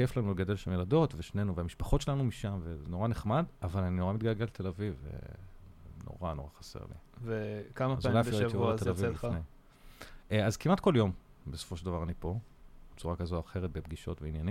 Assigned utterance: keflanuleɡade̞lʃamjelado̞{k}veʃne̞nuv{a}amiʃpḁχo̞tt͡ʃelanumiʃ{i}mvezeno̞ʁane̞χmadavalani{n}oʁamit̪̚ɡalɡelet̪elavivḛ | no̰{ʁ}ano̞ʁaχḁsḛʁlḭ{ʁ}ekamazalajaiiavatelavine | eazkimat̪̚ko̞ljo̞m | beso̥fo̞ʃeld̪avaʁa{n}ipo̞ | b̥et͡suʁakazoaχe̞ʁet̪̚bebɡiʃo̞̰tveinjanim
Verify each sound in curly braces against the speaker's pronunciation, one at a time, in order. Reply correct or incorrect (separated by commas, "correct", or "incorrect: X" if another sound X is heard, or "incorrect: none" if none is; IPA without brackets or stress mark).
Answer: incorrect: t, incorrect: e, incorrect: a, correct, correct, incorrect: v, correct